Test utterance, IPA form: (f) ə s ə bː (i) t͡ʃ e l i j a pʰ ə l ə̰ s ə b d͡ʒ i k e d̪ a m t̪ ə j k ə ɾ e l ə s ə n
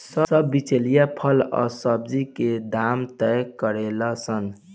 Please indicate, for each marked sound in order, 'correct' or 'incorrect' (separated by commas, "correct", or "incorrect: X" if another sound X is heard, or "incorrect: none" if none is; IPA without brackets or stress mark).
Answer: incorrect: s, correct